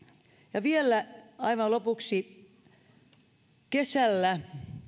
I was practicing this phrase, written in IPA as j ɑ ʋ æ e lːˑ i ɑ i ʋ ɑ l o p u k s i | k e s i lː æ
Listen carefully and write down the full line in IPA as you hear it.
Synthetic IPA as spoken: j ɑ ʋ i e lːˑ æ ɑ i ʋ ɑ l o p u k s i | k e s æ lː æ